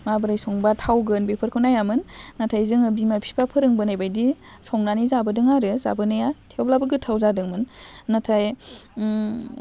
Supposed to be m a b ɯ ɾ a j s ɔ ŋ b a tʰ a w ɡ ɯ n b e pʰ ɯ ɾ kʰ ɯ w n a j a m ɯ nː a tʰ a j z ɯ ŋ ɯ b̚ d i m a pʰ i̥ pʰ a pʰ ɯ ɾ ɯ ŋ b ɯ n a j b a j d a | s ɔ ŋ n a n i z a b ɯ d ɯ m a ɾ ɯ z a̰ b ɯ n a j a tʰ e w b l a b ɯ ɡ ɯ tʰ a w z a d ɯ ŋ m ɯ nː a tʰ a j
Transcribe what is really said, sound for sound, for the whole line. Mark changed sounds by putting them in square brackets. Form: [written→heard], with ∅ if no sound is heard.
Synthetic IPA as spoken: m a b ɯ ɾ a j s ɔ ŋ b a tʰ a w ɡ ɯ n b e pʰ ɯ ɾ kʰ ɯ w n a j a m ɯ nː a tʰ a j z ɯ ŋ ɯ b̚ d i m a pʰ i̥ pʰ a pʰ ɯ ɾ ɯ ŋ b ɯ n a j b a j d [a→i] | s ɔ ŋ n a n i z a b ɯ d ɯ [m→ŋ] a ɾ ɯ z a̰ b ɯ n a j a tʰ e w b l a b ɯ ɡ ɯ tʰ a w z a d ɯ ŋ m ɯ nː a tʰ a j